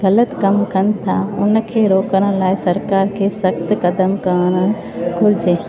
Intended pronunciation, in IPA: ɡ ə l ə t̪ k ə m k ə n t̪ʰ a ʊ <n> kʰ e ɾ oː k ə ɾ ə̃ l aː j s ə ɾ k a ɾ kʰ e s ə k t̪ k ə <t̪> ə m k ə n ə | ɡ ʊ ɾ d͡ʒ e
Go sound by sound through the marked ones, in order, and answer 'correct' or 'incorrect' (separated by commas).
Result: correct, incorrect